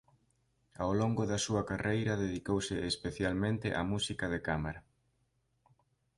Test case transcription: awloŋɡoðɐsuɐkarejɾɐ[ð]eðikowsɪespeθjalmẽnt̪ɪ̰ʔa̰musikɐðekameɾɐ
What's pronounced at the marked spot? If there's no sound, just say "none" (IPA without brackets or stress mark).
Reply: ð